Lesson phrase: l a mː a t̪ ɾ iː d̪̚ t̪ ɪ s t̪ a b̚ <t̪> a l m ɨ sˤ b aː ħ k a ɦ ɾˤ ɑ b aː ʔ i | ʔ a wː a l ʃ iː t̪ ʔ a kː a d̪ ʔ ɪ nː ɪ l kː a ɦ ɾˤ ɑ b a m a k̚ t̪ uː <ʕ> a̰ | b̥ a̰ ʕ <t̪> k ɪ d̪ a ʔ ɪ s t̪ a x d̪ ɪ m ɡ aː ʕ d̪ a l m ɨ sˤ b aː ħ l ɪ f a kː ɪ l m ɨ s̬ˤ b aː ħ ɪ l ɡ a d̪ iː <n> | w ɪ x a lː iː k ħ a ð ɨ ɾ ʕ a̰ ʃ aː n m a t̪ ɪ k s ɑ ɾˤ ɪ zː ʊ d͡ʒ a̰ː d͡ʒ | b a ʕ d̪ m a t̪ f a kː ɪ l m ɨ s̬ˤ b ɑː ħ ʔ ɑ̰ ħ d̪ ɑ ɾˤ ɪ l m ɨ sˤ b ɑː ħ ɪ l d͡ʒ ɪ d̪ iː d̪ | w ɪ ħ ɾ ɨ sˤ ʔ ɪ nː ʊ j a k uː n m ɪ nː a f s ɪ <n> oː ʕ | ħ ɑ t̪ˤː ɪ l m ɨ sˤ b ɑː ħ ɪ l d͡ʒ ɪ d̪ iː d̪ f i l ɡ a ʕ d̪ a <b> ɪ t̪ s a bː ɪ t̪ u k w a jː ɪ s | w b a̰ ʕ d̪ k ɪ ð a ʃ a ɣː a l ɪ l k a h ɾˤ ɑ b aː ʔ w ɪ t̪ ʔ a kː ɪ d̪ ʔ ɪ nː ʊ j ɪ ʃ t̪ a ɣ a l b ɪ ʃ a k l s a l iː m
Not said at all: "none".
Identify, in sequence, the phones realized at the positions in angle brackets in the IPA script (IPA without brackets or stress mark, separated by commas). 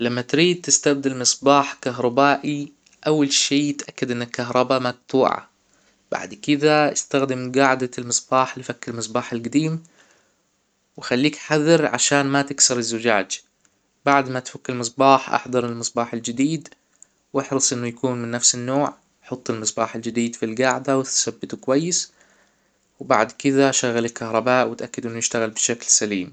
d̪, ʕ, d̪, m, nː, w